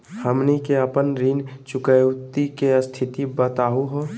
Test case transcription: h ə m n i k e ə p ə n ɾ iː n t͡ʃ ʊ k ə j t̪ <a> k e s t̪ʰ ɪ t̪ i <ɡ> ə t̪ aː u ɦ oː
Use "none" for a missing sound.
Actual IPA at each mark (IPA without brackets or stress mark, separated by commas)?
i, b